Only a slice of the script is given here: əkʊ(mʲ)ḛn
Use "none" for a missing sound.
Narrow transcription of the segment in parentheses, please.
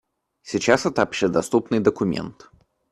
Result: mʲ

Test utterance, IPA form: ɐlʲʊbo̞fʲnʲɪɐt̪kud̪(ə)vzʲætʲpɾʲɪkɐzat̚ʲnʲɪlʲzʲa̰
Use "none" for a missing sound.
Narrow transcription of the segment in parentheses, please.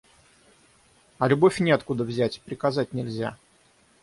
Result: ə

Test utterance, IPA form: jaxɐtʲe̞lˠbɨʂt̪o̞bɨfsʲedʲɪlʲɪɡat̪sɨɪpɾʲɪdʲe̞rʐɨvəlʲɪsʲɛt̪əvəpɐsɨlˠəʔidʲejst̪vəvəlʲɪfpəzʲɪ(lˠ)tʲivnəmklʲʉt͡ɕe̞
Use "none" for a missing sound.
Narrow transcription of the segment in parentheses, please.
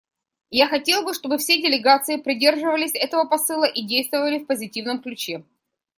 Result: none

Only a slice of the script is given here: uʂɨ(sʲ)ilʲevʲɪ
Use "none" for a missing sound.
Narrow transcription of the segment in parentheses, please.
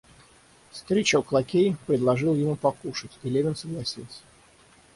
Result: tʲ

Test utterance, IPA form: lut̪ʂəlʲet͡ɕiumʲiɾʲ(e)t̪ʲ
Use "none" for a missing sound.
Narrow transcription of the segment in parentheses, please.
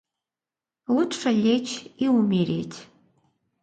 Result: e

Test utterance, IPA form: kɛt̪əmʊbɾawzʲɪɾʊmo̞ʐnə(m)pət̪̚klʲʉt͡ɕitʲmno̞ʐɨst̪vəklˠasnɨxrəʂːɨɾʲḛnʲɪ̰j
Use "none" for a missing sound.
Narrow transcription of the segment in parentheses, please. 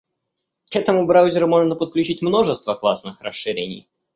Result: none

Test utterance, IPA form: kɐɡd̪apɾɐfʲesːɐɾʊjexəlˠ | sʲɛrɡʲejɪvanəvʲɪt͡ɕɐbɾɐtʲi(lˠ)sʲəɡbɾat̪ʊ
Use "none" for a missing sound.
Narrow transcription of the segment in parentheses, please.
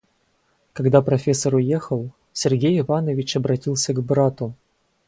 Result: lˠ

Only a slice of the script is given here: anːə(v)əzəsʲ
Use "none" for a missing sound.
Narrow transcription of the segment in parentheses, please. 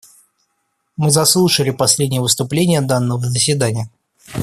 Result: v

